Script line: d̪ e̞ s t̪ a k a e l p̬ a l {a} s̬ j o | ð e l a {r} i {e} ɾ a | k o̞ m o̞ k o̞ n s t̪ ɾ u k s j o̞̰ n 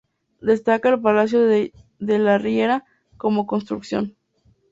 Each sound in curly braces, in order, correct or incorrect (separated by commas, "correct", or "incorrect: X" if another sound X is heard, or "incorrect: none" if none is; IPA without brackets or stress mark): correct, correct, correct